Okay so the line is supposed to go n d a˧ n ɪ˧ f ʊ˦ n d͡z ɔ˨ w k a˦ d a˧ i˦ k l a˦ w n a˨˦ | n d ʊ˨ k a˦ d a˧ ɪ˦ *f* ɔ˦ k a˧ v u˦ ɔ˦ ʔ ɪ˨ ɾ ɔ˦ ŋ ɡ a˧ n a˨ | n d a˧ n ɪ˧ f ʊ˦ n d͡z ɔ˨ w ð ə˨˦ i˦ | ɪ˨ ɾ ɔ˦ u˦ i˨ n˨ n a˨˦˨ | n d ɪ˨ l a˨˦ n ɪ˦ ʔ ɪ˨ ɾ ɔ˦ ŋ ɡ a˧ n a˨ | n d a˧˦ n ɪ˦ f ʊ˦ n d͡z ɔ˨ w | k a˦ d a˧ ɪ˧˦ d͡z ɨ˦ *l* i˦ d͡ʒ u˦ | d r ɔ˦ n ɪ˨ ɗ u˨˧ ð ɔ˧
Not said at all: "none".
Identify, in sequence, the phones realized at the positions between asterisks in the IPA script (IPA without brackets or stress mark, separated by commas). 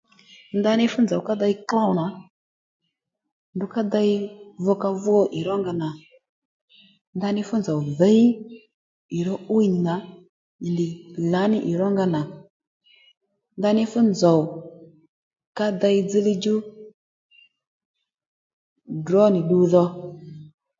v, l